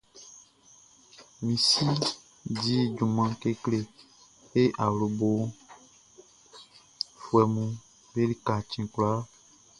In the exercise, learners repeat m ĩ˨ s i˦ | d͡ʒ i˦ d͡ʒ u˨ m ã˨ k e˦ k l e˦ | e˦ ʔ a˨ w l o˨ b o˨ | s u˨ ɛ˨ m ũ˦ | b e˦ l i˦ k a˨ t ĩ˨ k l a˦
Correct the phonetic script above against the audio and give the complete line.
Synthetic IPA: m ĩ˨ s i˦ | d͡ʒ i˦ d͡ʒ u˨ m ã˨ k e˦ k l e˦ | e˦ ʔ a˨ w l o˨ b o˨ | f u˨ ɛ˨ m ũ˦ | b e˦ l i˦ k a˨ t͡ʃ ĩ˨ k l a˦